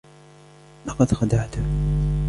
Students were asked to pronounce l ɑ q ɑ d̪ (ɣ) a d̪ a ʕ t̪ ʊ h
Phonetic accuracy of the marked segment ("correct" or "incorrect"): incorrect